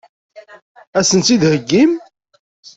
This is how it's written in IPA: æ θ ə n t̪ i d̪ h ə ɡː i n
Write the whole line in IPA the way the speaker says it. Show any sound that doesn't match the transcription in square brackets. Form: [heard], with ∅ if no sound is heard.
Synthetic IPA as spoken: æ [s] ə n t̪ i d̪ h ə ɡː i [m]

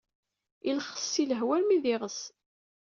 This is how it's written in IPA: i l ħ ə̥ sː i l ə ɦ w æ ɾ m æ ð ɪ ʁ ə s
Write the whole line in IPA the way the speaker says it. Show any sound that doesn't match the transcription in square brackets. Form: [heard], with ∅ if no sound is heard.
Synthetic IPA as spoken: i l [χ] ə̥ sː i l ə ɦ w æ [l] m [i] ð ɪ ʁ ə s

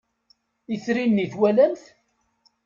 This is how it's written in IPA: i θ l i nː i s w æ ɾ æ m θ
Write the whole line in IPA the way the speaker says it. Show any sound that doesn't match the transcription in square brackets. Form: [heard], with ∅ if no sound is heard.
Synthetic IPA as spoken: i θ [ɾ] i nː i [θ] w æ [l] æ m θ

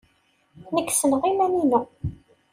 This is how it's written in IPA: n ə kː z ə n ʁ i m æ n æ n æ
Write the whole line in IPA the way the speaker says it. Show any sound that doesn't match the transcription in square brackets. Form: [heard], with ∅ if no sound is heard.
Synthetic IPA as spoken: n ə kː [s] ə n ʁ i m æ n [i] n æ

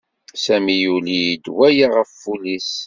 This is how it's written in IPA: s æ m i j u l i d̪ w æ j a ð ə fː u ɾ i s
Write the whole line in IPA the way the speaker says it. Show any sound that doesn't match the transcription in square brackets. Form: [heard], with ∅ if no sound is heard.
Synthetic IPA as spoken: s æ m i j u l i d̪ w æ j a [ʁ] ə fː u [l] i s

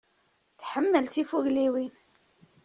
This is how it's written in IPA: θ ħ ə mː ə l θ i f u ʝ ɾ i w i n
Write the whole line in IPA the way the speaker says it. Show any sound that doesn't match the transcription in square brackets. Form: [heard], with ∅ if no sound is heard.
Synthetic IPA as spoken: θ ħ ə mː ə l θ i f u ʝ [l] i w i n

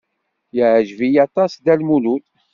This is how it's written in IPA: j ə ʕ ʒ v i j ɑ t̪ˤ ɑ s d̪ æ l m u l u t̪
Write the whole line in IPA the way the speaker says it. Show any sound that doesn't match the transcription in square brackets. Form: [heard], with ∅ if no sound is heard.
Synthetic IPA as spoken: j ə ʕ ʒ v i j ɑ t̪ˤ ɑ s d̪ æ l m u l u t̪

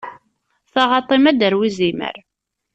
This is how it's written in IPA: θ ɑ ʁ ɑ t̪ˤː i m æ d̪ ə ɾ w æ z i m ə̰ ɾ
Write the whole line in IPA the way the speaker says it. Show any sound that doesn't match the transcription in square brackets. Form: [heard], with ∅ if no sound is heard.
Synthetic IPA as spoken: θ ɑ ʁ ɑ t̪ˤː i m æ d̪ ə ɾ w [i] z i m ə̰ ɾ

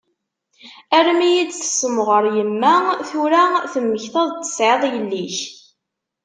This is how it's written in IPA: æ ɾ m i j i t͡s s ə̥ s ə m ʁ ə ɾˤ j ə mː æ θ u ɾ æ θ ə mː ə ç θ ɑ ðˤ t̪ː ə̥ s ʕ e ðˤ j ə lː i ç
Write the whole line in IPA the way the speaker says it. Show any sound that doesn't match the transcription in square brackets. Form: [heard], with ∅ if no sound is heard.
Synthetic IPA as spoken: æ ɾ m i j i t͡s [θ] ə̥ s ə m ʁ ə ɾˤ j ə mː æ θ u ɾ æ θ ə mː ə ç θ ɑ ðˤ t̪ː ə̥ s ʕ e ðˤ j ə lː i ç

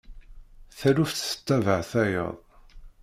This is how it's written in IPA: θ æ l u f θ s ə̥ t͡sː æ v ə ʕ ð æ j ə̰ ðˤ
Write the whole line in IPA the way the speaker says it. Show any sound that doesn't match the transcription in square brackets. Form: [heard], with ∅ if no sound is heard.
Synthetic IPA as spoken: θ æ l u f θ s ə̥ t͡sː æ v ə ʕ [θ] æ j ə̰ ðˤ

